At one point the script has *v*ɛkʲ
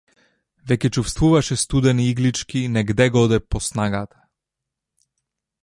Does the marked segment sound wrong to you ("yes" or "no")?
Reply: no